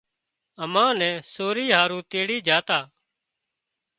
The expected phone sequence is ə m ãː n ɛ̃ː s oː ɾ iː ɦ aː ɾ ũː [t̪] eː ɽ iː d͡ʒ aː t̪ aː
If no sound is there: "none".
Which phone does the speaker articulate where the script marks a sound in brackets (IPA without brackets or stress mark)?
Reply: t̪